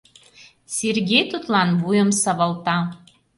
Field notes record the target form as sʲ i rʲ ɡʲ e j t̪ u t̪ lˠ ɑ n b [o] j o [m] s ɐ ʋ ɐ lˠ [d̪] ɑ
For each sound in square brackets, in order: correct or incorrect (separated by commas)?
incorrect, correct, incorrect